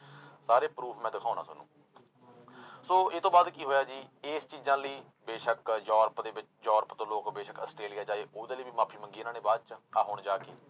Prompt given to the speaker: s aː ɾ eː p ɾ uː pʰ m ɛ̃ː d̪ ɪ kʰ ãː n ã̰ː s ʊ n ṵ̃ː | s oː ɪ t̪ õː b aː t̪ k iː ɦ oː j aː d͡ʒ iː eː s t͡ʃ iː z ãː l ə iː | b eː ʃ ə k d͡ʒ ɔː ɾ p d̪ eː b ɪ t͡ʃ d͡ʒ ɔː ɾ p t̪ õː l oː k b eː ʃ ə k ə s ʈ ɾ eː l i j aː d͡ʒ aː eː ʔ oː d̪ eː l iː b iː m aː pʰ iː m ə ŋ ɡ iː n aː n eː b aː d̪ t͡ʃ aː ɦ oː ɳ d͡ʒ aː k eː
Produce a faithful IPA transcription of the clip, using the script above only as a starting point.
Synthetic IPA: s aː ɾ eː p ɾ uː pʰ m ɛ̃ː d̪ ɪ kʰ aː n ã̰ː s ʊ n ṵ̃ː | s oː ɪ t̪ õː b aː d̪ k iː ɦ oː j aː d͡ʒ iː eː s t͡ʃ iː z ãː l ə iː | b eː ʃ ə k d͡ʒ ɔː ɾ p d̪ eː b ɪ t͡ʃ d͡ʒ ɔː ɾ p t̪ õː l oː k b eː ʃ ə k ə s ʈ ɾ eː l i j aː d͡ʒ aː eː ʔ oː d̪ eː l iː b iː m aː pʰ iː m ə ŋ ɡ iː n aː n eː b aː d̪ t͡ʃ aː ɦ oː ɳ d͡ʒ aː k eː